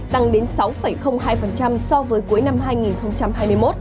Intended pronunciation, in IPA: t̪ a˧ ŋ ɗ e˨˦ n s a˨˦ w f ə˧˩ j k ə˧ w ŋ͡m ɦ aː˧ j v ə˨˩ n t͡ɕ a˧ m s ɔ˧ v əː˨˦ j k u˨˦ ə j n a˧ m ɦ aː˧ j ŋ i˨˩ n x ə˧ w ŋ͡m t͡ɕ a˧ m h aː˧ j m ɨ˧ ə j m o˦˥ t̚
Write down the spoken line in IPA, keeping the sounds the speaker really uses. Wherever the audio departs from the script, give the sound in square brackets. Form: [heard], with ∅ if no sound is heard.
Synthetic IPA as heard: t̪ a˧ ŋ ɗ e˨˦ n s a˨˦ w f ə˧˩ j [x] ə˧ w ŋ͡m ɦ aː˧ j [f] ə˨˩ n t͡ɕ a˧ m s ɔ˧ v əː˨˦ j k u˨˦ ə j n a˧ m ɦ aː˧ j ŋ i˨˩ n x ə˧ w ŋ͡m t͡ɕ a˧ m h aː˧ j m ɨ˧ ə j m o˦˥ t̚